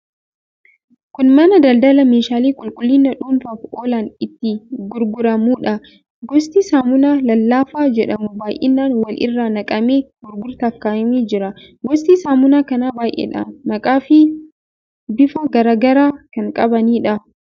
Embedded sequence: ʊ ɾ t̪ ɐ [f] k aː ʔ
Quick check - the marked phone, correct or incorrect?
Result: correct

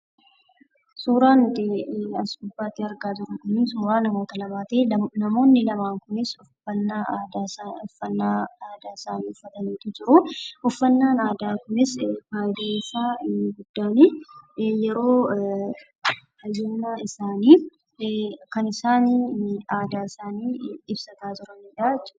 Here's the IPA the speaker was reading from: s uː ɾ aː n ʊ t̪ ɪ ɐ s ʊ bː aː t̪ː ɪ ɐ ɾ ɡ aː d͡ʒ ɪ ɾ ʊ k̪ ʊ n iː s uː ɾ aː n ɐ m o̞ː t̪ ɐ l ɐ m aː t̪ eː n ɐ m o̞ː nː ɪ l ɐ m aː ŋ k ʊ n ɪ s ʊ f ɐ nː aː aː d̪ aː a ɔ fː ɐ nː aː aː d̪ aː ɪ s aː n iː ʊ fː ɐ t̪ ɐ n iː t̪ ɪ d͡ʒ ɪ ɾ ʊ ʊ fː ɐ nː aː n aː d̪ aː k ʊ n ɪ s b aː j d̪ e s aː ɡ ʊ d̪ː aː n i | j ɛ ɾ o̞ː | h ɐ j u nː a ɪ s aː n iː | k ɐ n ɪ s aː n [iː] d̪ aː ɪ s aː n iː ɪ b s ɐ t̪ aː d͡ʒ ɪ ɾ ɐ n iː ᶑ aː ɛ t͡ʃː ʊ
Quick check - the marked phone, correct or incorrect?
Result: incorrect: aː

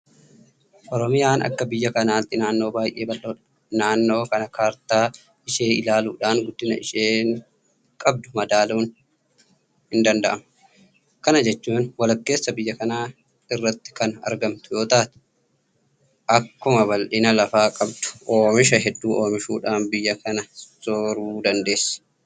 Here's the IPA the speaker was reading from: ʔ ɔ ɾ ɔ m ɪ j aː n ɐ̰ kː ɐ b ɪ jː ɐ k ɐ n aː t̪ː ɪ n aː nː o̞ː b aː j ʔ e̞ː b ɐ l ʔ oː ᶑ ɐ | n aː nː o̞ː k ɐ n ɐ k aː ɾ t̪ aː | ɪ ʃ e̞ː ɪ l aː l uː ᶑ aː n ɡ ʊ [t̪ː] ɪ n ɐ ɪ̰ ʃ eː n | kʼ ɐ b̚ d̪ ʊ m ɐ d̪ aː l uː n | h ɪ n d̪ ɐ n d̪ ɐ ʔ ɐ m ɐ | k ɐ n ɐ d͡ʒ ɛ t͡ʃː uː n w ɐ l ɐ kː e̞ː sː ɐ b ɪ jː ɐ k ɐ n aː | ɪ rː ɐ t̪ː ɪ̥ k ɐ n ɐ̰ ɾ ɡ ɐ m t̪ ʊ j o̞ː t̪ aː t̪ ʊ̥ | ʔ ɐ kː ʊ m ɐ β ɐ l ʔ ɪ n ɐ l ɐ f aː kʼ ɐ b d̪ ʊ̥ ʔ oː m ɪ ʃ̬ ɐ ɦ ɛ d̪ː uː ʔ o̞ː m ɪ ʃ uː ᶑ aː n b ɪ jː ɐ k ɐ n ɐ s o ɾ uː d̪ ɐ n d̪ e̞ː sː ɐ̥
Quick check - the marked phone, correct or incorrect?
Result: incorrect: d̪ː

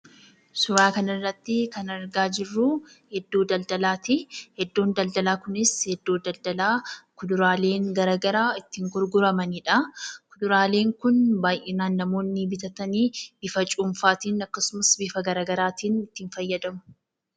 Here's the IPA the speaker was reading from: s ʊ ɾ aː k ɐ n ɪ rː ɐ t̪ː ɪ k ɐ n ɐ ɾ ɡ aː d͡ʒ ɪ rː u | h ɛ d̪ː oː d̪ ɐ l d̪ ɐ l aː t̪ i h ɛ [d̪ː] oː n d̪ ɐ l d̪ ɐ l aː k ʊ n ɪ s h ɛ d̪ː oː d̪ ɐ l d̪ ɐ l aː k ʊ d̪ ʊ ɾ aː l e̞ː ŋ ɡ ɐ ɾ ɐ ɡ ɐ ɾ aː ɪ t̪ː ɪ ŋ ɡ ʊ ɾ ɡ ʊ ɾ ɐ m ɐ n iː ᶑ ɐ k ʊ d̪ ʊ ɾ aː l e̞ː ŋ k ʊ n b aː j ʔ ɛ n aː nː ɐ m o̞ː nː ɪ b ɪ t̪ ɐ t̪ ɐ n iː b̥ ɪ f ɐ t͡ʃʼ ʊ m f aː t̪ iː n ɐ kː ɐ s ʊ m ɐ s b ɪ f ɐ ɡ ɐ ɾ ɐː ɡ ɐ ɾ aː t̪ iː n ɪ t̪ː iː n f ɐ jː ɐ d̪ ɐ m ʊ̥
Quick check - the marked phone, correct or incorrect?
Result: correct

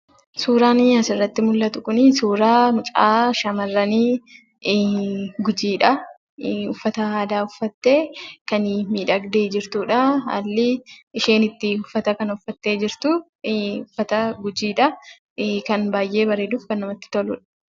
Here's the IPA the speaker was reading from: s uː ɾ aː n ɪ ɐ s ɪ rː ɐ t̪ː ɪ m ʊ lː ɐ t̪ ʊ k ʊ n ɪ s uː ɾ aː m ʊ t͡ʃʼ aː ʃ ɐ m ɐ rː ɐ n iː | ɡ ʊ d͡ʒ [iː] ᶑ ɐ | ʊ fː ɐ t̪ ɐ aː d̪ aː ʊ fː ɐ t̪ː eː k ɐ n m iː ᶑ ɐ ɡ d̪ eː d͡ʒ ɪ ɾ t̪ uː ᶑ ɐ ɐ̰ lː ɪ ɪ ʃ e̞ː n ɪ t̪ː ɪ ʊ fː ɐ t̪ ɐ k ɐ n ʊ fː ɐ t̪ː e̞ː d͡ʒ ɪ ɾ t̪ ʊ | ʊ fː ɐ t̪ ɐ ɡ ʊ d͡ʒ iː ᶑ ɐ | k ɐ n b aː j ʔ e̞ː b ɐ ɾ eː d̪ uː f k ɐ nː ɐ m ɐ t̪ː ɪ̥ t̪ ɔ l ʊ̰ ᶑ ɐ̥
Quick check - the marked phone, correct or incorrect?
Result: correct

